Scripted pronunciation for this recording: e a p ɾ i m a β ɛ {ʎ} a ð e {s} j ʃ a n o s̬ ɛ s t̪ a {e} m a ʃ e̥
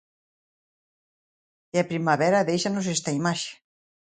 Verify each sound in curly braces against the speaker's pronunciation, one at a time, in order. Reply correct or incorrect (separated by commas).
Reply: incorrect, incorrect, incorrect